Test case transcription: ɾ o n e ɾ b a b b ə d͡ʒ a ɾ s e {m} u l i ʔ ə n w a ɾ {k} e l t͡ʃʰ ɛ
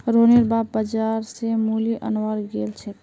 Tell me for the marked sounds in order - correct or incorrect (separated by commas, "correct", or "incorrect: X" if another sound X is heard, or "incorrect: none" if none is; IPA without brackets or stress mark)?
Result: correct, incorrect: ɡ